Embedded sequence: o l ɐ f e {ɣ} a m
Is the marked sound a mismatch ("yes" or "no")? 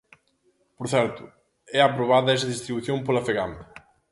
no